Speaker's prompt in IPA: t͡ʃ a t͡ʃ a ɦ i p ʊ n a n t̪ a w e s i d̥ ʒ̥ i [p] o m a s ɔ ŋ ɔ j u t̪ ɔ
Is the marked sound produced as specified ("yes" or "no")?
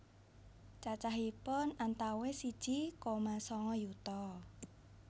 no